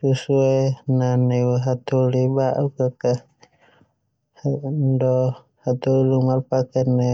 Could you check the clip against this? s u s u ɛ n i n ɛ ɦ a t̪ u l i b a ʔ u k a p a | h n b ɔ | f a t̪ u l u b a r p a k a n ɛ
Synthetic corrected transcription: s u s u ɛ n a n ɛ ɦ a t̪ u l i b a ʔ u k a k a | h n d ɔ | h a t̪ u l u m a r p a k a n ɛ